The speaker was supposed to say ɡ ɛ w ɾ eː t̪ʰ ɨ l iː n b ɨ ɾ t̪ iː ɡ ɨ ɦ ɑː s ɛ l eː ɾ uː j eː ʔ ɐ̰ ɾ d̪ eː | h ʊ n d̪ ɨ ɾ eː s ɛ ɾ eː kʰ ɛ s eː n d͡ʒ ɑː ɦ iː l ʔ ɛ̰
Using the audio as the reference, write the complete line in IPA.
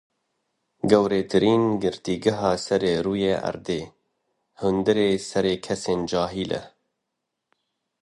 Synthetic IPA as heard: ɡ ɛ w ɾ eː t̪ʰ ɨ ɾ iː n ɡ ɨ ɾ t̪ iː ɡ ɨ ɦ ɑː s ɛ ɾ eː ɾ uː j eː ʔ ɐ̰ ɾ d̪ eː | h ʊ n d̪ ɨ ɾ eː s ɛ ɾ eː kʰ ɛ s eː n d͡ʒ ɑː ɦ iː l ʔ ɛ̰